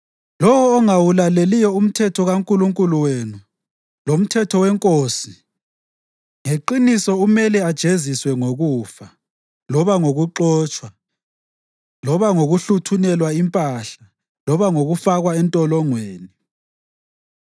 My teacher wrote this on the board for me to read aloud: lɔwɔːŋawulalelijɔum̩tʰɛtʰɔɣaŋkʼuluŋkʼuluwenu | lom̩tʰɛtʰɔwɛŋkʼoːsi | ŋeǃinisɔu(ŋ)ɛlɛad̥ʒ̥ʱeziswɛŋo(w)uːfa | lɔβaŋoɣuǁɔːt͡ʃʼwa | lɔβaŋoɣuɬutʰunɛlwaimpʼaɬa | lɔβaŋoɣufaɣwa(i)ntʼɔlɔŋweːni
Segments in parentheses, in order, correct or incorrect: incorrect: m, incorrect: ɣ, incorrect: ɛ

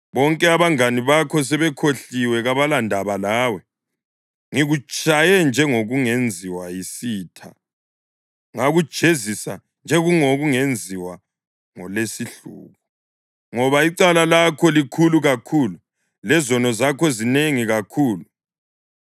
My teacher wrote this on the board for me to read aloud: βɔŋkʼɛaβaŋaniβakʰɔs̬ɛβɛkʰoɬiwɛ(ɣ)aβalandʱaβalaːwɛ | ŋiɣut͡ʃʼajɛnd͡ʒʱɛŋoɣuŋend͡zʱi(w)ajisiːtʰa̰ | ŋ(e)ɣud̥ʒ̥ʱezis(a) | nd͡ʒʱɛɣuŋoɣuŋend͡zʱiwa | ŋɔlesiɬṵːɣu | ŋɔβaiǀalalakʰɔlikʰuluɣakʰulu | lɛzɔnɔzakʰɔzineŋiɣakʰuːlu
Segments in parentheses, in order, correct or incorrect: correct, correct, incorrect: a, correct

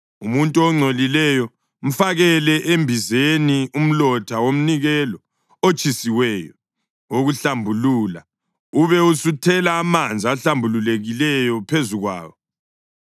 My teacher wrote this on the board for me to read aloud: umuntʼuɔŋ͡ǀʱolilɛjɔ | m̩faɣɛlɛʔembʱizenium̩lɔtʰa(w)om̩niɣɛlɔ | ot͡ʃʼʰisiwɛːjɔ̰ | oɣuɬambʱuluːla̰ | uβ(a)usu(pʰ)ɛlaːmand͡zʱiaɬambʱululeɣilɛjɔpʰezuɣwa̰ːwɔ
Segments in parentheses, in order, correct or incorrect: correct, incorrect: ɛ, incorrect: tʰ

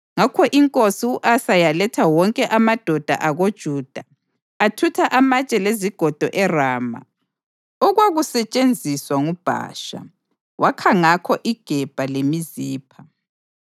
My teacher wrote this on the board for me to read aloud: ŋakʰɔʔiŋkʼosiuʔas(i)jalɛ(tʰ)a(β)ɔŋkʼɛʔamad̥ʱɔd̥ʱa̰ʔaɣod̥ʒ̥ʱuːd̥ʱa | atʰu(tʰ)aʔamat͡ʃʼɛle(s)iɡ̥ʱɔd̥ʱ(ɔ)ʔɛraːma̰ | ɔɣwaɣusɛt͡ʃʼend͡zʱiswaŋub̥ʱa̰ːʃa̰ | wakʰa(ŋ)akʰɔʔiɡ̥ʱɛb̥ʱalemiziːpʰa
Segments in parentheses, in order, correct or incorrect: incorrect: a, correct, incorrect: w, correct, incorrect: z, correct, correct

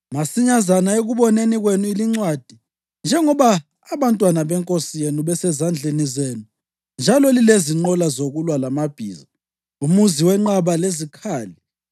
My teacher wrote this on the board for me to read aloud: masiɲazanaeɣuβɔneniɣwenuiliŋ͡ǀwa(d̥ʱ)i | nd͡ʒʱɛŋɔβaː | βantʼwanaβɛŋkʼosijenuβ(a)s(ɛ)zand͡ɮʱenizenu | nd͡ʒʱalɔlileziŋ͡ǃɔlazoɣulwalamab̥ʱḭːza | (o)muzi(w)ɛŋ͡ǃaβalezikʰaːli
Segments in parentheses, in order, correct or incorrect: correct, incorrect: ɛ, correct, incorrect: u, correct

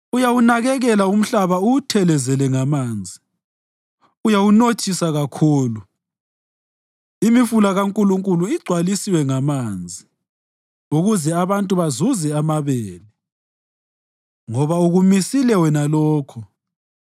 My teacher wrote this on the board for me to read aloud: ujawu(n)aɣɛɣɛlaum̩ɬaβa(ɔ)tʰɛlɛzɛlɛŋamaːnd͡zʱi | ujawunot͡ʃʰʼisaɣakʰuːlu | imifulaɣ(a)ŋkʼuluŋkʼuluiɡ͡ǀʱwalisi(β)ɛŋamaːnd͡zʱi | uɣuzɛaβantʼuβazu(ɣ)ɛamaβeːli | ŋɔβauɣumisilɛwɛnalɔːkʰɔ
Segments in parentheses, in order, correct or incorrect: correct, incorrect: u, correct, incorrect: w, incorrect: z

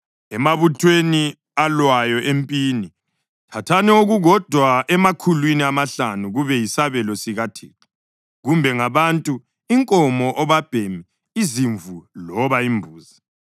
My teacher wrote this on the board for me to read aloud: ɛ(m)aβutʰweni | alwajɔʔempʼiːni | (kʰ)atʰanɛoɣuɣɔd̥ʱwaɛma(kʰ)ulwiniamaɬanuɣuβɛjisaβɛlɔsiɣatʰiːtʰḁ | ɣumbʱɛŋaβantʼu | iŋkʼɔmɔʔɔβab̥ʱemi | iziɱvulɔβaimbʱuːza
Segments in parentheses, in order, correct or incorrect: correct, incorrect: tʰ, correct

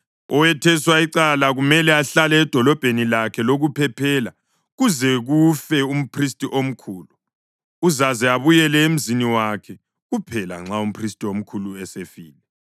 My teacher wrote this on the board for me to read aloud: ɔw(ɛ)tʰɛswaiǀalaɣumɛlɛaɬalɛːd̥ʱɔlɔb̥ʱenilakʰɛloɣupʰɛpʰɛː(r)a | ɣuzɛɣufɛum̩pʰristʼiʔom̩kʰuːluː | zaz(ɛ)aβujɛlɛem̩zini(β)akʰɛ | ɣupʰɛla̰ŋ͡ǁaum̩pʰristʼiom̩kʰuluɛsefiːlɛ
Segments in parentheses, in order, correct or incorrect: correct, incorrect: l, correct, incorrect: w

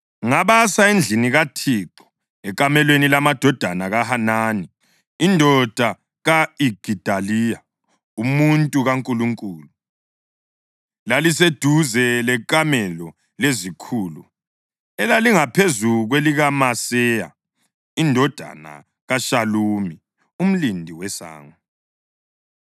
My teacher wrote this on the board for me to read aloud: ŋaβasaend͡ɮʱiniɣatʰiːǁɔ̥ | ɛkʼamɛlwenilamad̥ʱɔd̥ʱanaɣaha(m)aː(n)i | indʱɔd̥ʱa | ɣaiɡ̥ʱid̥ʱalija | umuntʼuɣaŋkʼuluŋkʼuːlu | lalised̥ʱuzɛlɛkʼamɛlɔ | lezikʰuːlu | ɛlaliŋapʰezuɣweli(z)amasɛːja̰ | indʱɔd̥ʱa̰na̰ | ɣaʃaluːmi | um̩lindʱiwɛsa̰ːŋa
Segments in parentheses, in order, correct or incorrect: incorrect: n, correct, incorrect: ɣ

